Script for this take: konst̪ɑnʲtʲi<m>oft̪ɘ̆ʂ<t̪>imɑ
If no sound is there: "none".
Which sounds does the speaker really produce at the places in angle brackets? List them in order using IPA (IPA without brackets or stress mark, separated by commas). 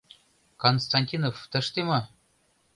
n, t̪